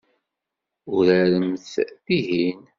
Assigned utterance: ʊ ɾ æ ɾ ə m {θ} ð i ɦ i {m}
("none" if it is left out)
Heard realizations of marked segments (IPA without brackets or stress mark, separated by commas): θ, n